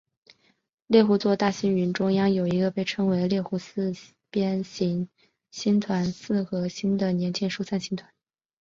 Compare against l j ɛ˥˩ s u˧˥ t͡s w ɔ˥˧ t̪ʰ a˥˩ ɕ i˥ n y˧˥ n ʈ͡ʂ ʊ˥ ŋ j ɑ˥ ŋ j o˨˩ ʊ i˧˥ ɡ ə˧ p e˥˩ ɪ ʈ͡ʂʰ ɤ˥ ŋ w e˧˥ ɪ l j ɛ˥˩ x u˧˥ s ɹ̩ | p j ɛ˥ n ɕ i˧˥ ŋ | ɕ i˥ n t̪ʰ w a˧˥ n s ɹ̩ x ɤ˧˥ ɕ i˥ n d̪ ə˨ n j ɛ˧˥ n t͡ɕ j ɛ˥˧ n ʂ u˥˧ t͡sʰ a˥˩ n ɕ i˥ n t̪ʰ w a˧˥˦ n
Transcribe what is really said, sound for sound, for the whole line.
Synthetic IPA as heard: l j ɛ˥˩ x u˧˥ t͡s w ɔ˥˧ t̪ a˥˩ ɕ i˥ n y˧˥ n ʈ͡ʂ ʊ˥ ŋ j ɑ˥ ŋ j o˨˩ ʊ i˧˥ ɡ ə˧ p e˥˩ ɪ ʈ͡ʂʰ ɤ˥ ŋ w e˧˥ ɪ l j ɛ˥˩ x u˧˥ s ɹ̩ | p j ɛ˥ n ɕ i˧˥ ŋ | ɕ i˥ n t̪ʰ w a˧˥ n s ɹ̩ x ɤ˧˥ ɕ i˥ n d̪ ə˨ n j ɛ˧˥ n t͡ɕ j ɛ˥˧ n ʂ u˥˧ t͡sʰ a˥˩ n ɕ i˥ n t̪ʰ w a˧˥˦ n

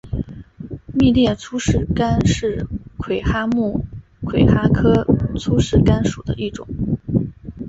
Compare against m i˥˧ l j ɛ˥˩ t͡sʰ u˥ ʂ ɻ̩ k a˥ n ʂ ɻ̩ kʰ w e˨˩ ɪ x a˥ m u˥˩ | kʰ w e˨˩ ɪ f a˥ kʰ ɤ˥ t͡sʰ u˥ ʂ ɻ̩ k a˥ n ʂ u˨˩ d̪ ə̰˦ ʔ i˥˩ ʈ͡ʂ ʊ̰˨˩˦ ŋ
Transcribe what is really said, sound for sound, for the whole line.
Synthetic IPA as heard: m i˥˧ l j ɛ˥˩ t͡sʰ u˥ ʂ ɻ̩ k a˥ n ʂ ɻ̩ kʰ w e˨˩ ɪ x a˥ m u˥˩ | kʰ w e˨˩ ɪ x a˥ kʰ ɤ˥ t͡sʰ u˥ ʂ ɻ̩ k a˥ n ʂ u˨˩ d̪ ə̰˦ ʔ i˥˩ ʈ͡ʂ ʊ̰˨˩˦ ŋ

